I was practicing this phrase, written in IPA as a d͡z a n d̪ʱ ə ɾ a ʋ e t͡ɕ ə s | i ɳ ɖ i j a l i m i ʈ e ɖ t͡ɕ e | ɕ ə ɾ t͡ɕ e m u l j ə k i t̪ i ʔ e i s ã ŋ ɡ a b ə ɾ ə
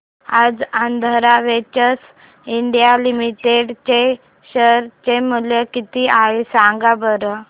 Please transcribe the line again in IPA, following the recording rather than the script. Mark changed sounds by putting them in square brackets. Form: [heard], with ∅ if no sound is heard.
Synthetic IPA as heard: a d͡z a n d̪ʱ ə ɾ a ʋ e t͡ɕ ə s | i ɳ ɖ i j a l i m i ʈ e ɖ t͡ɕ e | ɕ ə ɾ t͡ɕ e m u l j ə k i t̪ i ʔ [a] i s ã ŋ ɡ a b ə ɾ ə